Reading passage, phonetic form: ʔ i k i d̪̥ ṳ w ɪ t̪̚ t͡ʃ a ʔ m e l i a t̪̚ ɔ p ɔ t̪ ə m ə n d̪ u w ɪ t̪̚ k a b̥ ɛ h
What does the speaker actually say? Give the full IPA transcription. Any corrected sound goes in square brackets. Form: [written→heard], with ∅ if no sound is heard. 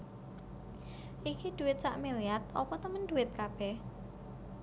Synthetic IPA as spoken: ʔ i k i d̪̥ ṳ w ɪ t̪̚ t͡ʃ a ʔ m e l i a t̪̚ ɔ p ɔ t̪ ə m ə n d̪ u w ɪ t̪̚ k a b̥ ɛ h